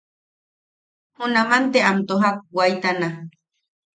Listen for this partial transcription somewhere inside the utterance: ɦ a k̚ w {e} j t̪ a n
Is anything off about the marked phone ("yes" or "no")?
yes